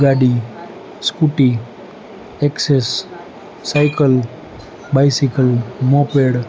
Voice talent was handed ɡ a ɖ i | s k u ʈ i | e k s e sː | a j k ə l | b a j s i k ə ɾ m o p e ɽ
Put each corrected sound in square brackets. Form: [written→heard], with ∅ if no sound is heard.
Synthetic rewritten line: ɡ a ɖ i | s k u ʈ i | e k s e sː | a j k ə l | b a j s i k ə [ɾ→l] m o p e ɽ

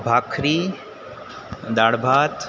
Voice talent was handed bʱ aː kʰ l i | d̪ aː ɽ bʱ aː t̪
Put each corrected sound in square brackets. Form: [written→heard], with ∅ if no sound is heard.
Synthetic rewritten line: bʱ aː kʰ [l→ɾ] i | d̪ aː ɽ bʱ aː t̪

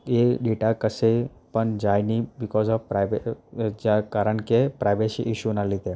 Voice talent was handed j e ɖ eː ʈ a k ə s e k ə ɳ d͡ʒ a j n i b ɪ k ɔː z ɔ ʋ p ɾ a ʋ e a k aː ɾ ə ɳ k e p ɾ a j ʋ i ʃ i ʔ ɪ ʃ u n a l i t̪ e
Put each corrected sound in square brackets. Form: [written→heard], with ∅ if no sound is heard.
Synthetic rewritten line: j e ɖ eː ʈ a k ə s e [k→p] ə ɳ d͡ʒ a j n i b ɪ k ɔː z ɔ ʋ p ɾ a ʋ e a k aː ɾ ə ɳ k e p ɾ a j ʋ [i→e] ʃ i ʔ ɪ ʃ u n a l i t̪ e

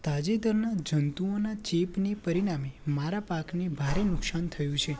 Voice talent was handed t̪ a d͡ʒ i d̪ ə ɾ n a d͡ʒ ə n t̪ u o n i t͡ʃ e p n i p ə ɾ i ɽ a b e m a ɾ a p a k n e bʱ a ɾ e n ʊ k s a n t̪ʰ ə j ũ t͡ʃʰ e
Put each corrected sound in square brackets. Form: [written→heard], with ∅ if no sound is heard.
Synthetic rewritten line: t̪ a d͡ʒ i d̪ ə ɾ n a d͡ʒ ə n t̪ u o n [i→a] t͡ʃ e p n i p ə ɾ i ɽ a [b→m] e m a ɾ a p a k n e bʱ a ɾ e n ʊ k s a n t̪ʰ ə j ũ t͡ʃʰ e

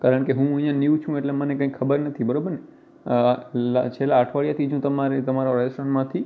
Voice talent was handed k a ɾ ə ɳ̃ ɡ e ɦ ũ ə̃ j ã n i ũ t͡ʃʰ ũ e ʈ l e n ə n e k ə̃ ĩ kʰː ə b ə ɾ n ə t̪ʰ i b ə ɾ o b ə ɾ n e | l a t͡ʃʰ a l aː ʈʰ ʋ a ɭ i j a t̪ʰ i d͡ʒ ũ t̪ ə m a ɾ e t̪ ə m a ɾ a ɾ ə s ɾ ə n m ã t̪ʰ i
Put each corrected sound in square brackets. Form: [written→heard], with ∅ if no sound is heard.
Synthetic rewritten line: k a ɾ ə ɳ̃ [ɡ→k] e ɦ ũ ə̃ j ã n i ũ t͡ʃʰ ũ e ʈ l e [n→m] ə n e k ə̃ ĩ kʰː ə b ə ɾ n ə t̪ʰ i b ə ɾ o b ə ɾ n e | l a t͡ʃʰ [a→e] l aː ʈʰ ʋ a ɭ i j a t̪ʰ i d͡ʒ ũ t̪ ə m a ɾ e t̪ ə m a ɾ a ɾ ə s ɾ ə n m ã t̪ʰ i

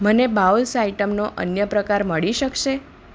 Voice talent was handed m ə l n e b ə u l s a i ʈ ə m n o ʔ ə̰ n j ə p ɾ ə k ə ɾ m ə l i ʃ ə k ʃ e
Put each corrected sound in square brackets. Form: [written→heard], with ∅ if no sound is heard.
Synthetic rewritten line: m ə [l→∅] n e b [ə→a] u l s a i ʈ ə m n o ʔ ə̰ n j ə p ɾ ə k [ə→a] ɾ m ə [l→ɭ] i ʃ ə k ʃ e

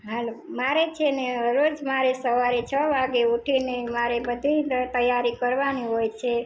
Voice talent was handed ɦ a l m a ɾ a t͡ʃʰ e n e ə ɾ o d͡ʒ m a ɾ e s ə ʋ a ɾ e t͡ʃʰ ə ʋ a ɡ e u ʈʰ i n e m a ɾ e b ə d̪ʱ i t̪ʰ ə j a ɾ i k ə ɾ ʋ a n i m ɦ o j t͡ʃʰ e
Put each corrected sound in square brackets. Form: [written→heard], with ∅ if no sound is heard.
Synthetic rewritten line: ɦ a l m a ɾ [a→e] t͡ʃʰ e n e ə ɾ o d͡ʒ m a ɾ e s ə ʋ a ɾ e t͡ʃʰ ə ʋ a ɡ e u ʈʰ i n e m a ɾ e b ə d̪ʱ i [t̪ʰ→t̪] ə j a ɾ i k ə ɾ ʋ a n i [m→∅] ɦ o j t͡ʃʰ e

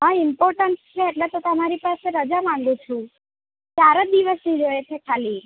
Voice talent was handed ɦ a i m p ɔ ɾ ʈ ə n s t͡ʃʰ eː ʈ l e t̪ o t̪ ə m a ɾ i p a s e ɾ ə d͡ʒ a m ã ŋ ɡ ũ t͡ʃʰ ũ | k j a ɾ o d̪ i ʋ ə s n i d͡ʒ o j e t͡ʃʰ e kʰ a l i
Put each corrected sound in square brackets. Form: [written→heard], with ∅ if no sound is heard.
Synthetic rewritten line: ɦ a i m p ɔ ɾ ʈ ə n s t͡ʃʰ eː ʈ l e t̪ o t̪ ə m a ɾ i p a s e ɾ ə d͡ʒ a m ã ŋ ɡ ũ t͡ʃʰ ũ | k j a ɾ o d̪ i ʋ ə s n i d͡ʒ o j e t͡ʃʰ e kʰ a l i

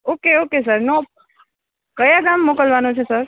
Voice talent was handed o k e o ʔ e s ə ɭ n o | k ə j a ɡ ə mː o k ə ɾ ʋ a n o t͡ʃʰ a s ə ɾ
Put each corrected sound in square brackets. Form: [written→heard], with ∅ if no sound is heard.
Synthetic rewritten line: o k e o [ʔ→k] e s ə [ɭ→ɾ] n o | k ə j a ɡ [ə→a] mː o k ə [ɾ→l] ʋ a n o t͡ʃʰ [a→e] s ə ɾ

